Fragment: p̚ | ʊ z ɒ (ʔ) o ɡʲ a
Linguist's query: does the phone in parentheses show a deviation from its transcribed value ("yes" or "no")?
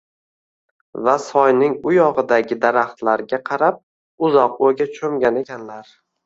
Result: yes